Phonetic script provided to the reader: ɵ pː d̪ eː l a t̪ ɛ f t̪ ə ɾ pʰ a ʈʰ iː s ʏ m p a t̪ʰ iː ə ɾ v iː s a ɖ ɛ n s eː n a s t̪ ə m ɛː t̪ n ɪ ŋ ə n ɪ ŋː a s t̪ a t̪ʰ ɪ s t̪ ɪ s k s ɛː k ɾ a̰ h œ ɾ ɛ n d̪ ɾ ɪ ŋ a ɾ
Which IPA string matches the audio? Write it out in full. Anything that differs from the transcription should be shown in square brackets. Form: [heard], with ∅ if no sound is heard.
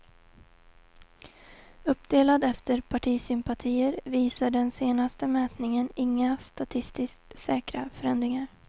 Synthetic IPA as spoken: ɵ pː d̪ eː l a [d̪] ɛ f t̪ ə ɾ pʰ a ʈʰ iː s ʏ m p a t̪ʰ iː ə ɾ v iː s a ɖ ɛ n s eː n a s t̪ ə m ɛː t̪ n ɪ ŋ ə n ɪ ŋː a s t̪ a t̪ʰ ɪ s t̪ ɪ s k s ɛː k ɾ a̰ [f] œ ɾ ɛ n d̪ ɾ ɪ ŋ a ɾ

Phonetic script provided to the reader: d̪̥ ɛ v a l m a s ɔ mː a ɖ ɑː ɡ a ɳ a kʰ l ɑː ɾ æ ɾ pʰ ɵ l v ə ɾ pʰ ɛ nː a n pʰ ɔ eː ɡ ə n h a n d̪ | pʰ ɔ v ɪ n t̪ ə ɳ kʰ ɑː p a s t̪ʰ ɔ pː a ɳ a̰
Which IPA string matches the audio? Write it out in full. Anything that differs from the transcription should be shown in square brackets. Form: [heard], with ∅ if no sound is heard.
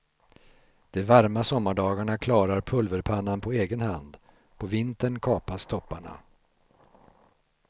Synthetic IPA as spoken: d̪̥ ɛ v a [ɾ] m a s ɔ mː a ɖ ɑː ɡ a ɳ a kʰ l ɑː ɾ [a] ɾ pʰ ɵ l v ə ɾ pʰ [a] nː a n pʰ ɔ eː ɡ ə n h a n d̪ | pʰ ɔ v ɪ n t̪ ə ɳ kʰ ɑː p a s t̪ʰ ɔ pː a ɳ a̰

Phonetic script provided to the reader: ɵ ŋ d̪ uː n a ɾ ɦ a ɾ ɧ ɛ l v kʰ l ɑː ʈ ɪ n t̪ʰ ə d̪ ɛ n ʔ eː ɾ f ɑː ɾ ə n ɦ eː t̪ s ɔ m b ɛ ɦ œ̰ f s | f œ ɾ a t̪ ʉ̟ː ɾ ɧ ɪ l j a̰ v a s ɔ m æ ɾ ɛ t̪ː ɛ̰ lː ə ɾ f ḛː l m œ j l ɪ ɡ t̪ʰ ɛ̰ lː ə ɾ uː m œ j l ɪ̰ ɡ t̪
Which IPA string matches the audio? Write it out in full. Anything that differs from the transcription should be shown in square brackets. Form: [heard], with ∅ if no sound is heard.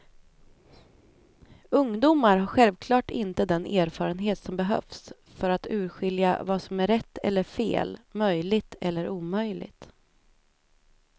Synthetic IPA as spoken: ɵ ŋ d̪ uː [m] a ɾ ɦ a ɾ ɧ ɛ l v kʰ l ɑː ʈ ɪ n [t̪] ə d̪ ɛ n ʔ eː ɾ f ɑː ɾ ə n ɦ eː t̪ s ɔ m b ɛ ɦ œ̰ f s | f œ ɾ a t̪ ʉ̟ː ɾ ɧ ɪ l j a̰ v a s ɔ m æ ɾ ɛ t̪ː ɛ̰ lː ə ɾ f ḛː l m œ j l ɪ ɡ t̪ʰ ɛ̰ lː ə ɾ uː m œ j l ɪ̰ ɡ t̪

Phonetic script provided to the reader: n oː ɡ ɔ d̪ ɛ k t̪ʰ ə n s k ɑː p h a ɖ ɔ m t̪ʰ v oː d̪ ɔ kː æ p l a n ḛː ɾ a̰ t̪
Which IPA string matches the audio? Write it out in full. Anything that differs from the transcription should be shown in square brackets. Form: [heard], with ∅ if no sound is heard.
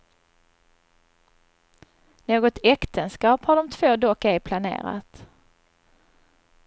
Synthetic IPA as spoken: n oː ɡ ɔ [t̪] ɛ k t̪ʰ ə n s k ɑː p h a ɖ ɔ m t̪ʰ v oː d̪ ɔ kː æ [pʰ] l a n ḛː ɾ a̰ t̪

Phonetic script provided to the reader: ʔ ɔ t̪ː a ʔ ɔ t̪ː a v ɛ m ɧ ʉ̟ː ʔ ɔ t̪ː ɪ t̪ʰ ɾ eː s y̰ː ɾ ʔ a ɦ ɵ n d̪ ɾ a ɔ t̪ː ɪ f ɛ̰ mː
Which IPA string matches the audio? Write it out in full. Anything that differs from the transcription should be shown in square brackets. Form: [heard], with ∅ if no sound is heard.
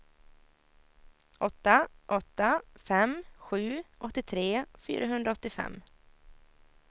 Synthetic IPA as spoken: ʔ ɔ t̪ː a ʔ ɔ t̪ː a [f] ɛ m ɧ ʉ̟ː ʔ ɔ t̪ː ɪ t̪ʰ ɾ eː [f] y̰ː ɾ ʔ a ɦ ɵ n d̪ ɾ a ɔ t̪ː ɪ f ɛ̰ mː

